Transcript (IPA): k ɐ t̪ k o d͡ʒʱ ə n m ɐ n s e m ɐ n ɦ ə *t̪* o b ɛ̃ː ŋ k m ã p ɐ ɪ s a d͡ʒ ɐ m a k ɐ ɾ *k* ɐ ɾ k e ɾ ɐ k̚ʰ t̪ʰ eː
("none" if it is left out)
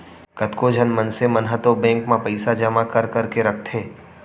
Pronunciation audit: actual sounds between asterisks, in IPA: t̪, k

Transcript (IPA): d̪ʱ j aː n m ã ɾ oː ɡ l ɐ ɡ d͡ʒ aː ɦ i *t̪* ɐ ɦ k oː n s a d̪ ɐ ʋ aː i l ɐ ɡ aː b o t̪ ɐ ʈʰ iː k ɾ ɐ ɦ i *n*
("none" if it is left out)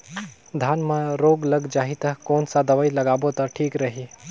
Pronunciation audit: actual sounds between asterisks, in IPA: t̪, none

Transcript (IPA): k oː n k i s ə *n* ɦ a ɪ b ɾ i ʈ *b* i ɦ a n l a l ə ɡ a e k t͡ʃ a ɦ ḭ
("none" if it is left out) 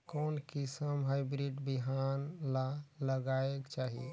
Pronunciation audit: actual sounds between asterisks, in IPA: m, b

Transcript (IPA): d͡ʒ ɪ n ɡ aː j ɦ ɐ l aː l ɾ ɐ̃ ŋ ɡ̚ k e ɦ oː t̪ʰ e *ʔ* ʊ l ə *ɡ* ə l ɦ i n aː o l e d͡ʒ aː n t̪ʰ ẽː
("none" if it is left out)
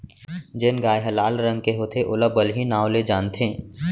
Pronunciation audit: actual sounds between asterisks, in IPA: ʔ, b

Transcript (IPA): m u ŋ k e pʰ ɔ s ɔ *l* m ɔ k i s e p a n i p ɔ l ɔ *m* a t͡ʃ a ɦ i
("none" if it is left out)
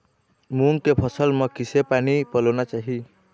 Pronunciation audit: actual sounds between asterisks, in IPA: l, n

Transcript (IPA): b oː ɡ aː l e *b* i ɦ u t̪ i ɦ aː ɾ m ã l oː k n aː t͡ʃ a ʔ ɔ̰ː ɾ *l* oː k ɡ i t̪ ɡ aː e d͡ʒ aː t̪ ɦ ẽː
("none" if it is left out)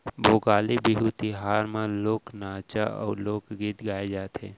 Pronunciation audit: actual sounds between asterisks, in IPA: b, l

